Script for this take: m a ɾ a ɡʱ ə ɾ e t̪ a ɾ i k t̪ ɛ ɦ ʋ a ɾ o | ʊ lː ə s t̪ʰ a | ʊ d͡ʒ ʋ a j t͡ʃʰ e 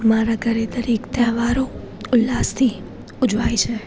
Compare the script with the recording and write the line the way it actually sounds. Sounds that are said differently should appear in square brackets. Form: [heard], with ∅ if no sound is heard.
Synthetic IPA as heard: m a ɾ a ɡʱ ə ɾ e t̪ [ə] ɾ i k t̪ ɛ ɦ ʋ a ɾ o | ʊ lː [a] s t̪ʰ [i] | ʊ d͡ʒ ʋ a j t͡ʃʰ e